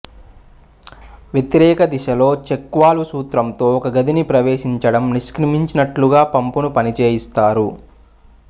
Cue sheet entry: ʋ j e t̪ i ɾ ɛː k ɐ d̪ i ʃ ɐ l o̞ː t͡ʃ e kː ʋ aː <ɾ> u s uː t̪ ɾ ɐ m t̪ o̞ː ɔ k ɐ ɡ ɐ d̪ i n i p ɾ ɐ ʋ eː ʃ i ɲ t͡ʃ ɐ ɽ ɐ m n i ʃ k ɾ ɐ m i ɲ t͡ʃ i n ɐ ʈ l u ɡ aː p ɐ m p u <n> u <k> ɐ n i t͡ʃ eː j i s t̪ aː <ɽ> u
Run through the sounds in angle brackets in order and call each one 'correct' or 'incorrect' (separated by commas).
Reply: incorrect, correct, incorrect, incorrect